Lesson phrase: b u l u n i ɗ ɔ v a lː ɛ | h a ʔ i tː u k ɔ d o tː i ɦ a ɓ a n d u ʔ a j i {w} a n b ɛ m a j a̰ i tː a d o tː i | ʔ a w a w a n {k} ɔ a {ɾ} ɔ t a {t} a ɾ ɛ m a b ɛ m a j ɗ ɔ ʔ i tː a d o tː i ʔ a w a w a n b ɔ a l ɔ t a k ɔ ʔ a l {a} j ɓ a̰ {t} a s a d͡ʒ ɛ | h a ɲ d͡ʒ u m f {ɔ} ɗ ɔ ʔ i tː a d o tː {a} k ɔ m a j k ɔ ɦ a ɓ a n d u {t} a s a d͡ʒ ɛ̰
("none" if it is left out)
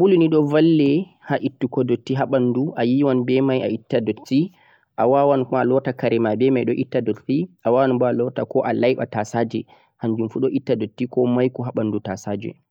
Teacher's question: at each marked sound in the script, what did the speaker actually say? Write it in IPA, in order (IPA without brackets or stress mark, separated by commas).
w, k, l, k, a, t, u, i, t